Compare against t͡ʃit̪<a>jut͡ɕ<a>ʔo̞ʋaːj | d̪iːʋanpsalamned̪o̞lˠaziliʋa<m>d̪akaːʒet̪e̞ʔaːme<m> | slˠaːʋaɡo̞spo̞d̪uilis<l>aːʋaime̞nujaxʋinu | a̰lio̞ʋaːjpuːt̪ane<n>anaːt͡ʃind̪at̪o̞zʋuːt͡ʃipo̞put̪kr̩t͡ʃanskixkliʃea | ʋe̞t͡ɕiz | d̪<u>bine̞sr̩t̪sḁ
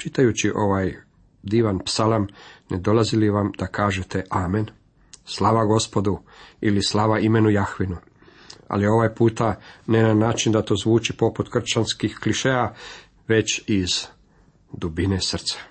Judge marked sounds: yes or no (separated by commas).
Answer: yes, no, yes, no, yes, yes, yes